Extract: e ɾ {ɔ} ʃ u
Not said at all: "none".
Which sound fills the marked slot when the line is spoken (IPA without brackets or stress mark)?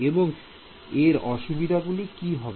ɔ